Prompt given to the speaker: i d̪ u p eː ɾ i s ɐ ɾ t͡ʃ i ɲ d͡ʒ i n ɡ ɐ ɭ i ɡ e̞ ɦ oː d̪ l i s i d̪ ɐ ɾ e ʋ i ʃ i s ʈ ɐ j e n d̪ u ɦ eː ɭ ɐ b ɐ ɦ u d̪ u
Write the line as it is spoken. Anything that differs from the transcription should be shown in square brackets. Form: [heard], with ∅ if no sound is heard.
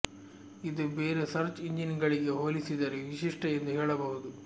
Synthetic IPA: i d̪ u [b] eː ɾ [e] s ɐ ɾ t͡ʃ i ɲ d͡ʒ i n ɡ ɐ ɭ i ɡ e̞ ɦ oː [∅] l i s i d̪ ɐ ɾ e ʋ i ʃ i [ʂ] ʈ ɐ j e n d̪ u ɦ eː ɭ ɐ b ɐ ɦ u d̪ u